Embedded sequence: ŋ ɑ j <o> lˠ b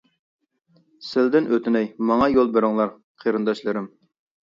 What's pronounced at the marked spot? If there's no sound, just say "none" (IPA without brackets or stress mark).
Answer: o